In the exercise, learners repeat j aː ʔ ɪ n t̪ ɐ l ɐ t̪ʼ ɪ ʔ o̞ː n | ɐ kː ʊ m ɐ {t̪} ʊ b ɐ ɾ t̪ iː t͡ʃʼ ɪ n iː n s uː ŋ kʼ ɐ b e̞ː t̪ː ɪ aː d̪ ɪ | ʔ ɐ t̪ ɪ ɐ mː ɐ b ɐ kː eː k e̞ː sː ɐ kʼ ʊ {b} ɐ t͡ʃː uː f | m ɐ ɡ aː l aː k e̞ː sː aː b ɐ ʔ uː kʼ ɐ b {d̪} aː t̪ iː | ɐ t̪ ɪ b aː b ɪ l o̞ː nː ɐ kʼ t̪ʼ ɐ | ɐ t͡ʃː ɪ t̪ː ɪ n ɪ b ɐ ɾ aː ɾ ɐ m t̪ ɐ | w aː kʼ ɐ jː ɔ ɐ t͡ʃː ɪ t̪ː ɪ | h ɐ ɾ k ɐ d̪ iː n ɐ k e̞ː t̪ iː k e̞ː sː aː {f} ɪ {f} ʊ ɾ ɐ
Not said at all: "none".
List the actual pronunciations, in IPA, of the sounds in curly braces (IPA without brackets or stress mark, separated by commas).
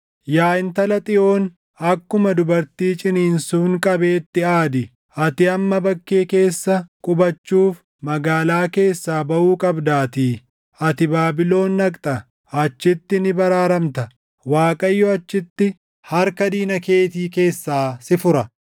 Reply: d̪, b, d̪, s, f